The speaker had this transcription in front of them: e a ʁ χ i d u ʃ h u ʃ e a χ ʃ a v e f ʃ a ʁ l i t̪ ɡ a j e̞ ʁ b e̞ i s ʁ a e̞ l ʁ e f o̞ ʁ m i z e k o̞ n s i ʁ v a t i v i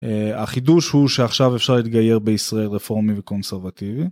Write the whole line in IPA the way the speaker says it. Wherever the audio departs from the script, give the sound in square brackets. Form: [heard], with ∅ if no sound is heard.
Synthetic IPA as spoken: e a [∅] χ i d u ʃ h u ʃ e a χ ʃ a v e f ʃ a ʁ l i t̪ ɡ a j e̞ ʁ b e̞ i s ʁ a e̞ l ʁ e f o̞ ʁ m i [v] e k o̞ n s [e] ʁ v a t i v i